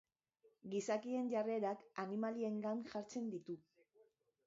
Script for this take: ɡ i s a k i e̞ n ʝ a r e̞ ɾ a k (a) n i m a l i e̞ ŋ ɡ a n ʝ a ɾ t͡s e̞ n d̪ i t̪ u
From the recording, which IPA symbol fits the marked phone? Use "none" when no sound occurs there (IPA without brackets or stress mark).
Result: a